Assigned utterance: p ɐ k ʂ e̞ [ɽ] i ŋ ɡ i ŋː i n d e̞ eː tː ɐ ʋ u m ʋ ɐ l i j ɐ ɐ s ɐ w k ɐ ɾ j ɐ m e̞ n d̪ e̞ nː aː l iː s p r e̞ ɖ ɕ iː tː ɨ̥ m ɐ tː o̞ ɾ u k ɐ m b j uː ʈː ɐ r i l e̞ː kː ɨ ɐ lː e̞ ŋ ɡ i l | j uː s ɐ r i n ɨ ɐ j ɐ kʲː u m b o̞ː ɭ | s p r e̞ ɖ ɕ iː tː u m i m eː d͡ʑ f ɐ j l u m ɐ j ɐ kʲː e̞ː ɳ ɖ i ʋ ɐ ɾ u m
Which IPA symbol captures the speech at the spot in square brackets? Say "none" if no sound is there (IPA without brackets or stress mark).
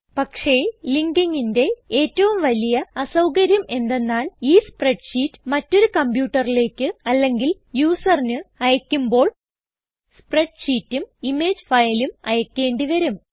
l